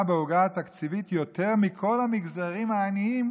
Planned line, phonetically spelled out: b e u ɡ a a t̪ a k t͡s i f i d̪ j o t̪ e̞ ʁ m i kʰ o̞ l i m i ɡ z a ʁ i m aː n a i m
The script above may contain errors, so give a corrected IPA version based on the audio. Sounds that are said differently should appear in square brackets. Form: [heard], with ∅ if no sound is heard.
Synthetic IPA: b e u ɡ a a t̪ a k t͡s i [v] i [t̪] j o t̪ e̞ ʁ m i kʰ o̞ l [a] m i ɡ z a ʁ i m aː n [i] i m

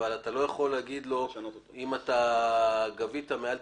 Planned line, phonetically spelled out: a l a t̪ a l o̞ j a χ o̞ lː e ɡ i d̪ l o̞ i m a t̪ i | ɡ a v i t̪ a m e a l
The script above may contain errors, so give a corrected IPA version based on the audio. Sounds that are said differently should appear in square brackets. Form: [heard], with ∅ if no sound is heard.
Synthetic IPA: a l a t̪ a l o̞ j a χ o̞ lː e ɡ i d̪ l o̞ i m a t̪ [a] | ɡ a v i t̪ a m e a l

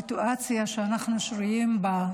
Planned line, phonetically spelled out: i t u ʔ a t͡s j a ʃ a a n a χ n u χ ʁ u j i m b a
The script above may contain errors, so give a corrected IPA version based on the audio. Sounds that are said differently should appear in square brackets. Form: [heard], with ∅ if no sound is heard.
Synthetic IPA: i t u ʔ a t͡s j a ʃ [e] a n a χ n u [ʃ] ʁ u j i m b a

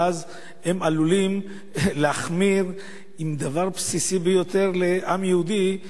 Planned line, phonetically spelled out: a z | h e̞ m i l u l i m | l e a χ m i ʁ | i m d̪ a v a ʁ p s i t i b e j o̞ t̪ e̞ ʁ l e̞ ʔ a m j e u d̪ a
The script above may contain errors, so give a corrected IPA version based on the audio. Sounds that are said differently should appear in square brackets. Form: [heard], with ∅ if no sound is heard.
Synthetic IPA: a z | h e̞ m [a] l u l i m | l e a χ m i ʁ | i m d̪ a v a ʁ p s i [s] i b e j o̞ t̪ e̞ ʁ l e̞ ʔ a m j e u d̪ [i]

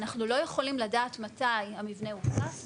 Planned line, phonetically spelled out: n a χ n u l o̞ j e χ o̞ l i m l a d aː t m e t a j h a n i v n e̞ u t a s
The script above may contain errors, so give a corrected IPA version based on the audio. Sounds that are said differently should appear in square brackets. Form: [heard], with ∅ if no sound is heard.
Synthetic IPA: n a χ n u l o̞ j e χ o̞ l i m l a d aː t m [a] t a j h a [m] i v n e̞ u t a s

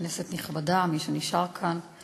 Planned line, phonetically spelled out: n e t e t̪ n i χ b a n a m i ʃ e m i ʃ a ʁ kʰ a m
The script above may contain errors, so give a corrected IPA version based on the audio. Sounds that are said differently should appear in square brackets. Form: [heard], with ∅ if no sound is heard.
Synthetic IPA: n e [s] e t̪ n i χ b a [d] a m i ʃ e [n] i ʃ a ʁ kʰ a [n]

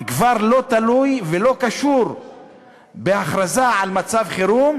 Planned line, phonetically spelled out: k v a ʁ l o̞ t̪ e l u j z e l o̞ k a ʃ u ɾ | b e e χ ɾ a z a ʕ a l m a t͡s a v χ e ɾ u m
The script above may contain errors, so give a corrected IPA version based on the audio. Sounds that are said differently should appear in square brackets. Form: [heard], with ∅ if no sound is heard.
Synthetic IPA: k v a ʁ l o̞ t̪ [a] l u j [v] e l o̞ k a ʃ u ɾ | b e [a] χ ɾ a z a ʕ a l m a t͡s a v χ e ɾ u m

